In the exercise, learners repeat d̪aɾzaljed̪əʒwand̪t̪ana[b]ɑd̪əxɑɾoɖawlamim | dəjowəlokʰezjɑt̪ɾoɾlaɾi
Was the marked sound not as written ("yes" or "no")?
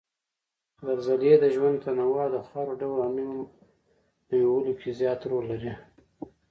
yes